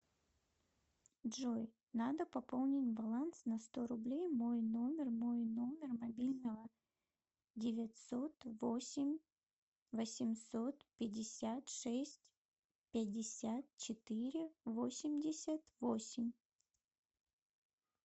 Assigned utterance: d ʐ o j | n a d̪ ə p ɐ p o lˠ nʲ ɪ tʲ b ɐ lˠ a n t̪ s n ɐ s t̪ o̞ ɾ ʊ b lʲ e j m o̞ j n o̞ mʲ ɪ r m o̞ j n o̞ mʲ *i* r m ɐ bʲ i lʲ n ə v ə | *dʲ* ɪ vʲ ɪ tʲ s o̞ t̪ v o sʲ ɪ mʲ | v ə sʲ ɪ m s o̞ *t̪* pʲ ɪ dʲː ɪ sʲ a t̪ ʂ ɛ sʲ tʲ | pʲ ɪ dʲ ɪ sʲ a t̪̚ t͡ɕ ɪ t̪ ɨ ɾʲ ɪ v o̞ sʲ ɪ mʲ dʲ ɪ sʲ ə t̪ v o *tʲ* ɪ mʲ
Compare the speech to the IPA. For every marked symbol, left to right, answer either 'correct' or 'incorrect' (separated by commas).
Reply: incorrect, correct, correct, incorrect